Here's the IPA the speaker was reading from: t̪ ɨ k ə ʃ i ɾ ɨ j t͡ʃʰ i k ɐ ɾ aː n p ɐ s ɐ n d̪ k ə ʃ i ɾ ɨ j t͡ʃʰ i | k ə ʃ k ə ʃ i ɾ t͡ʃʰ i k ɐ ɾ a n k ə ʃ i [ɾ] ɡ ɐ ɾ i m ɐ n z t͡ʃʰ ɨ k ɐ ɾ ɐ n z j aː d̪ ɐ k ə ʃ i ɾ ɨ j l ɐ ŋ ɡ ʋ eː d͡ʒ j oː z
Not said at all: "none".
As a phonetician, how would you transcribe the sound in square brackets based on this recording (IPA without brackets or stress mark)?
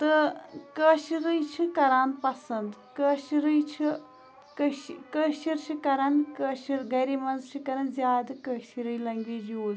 ɾ